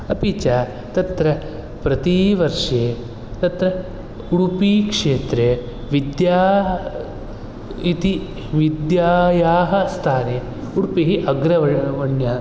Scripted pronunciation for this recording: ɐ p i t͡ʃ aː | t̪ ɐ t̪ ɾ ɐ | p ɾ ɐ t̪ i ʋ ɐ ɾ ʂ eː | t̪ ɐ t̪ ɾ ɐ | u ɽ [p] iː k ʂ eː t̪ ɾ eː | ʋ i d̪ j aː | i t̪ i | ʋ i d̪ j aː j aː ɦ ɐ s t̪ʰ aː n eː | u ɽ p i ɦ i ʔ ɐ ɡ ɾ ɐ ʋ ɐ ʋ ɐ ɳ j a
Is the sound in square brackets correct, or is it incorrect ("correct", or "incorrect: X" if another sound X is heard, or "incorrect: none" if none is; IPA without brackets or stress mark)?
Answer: correct